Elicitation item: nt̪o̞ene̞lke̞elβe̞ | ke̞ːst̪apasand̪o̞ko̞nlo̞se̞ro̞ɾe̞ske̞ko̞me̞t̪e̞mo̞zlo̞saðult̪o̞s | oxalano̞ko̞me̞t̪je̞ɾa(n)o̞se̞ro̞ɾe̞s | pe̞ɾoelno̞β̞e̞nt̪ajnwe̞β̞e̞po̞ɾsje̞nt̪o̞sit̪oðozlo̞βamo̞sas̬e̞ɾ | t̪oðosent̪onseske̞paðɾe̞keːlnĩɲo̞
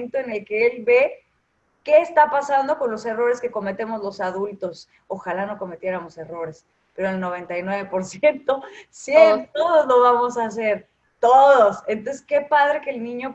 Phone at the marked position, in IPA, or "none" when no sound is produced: m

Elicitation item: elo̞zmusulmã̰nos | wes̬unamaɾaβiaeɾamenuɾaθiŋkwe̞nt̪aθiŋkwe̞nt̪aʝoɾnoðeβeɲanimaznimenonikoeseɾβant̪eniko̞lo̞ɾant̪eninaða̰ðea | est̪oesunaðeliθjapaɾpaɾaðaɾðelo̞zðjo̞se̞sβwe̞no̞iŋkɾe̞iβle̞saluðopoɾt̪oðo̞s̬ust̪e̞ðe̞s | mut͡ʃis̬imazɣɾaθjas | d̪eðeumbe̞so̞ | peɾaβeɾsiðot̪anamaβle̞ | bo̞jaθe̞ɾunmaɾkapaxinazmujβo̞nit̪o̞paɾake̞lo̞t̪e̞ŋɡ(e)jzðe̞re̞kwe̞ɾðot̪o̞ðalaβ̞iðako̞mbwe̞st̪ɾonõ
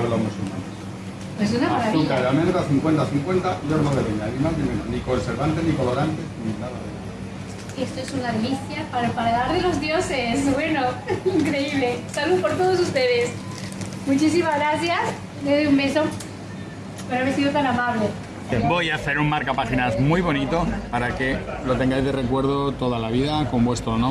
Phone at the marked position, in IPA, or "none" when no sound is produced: a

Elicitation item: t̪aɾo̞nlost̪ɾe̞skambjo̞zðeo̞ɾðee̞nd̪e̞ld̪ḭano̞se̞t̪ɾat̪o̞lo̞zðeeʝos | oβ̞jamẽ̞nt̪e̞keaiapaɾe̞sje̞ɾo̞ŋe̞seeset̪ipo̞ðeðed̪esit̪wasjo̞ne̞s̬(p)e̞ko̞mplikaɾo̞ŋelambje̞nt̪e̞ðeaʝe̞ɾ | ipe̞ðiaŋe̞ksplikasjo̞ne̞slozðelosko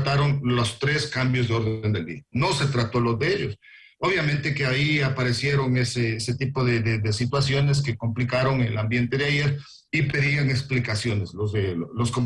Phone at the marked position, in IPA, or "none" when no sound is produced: k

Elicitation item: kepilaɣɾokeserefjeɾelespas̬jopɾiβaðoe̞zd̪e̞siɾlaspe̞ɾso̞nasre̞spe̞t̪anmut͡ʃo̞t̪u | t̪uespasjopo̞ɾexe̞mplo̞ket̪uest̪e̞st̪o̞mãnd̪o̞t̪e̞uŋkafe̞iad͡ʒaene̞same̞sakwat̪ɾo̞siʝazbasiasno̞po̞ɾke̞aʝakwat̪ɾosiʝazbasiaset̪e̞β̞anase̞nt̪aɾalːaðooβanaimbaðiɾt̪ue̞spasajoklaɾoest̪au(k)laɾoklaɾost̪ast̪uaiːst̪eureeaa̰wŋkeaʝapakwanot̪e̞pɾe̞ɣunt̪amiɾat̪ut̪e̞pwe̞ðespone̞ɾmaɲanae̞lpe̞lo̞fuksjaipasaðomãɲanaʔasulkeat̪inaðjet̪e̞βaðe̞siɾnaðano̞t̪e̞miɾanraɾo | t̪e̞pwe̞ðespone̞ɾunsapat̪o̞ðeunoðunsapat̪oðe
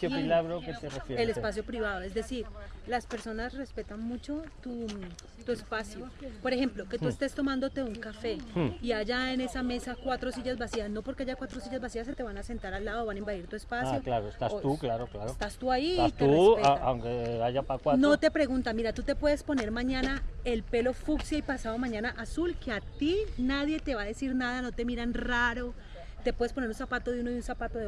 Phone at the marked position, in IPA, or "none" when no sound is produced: k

